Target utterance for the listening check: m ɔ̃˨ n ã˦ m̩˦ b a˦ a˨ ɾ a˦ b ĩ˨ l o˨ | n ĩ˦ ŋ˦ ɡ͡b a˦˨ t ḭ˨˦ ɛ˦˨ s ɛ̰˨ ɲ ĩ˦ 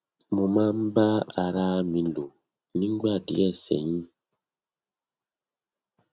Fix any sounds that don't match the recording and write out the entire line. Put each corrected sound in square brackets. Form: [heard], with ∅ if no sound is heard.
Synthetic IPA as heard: m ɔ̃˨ [m] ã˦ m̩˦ b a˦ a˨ ɾ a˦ [m] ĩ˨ l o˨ | n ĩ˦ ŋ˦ ɡ͡b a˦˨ [d] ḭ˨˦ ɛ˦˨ s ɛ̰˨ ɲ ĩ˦